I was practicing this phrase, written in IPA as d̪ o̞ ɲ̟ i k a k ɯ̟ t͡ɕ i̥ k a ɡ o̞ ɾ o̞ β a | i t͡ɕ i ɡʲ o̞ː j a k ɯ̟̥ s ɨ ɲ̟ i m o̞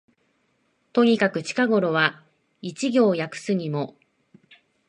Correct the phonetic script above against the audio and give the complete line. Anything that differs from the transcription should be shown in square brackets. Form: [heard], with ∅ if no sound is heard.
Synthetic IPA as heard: [t̪] o̞ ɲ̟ i k a k ɯ̟ t͡ɕ i̥ k a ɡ o̞ ɾ o̞ β a | i t͡ɕ i ɡʲ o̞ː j a k ɯ̟̥ s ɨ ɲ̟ i m o̞